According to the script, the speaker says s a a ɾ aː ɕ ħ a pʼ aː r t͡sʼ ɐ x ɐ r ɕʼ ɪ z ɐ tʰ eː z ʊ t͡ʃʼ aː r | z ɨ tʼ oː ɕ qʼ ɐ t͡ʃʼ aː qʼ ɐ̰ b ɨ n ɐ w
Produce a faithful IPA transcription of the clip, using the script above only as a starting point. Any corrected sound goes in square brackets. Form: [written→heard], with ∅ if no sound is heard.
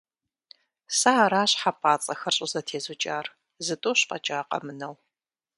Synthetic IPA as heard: s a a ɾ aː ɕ ħ a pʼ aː [r→∅] t͡sʼ ɐ x ɐ r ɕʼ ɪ z ɐ tʰ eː z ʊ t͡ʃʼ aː r | z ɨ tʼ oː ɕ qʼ ɐ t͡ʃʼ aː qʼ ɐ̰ [b→m] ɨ n ɐ w